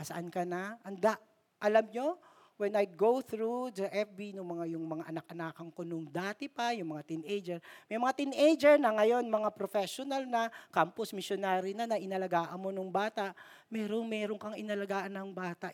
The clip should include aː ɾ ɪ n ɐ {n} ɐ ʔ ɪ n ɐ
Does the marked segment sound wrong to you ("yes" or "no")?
no